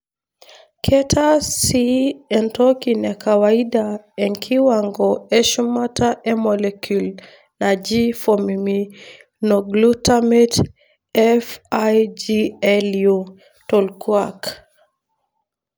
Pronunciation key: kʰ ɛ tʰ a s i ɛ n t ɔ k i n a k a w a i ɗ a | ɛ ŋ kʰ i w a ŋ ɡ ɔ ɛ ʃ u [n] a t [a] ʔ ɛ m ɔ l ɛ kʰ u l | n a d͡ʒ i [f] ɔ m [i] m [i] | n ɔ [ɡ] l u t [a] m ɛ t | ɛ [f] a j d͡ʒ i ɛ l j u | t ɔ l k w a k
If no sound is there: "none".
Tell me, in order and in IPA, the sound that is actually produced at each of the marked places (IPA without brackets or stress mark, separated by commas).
m, a, f, i, i, ɡ, a, f